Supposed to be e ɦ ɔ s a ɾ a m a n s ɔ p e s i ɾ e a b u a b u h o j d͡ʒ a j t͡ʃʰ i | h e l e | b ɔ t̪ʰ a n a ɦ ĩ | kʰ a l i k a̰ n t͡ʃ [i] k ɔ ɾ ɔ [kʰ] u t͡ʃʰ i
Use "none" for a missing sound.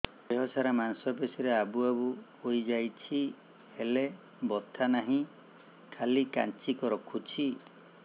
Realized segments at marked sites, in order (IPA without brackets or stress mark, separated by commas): i, kʰ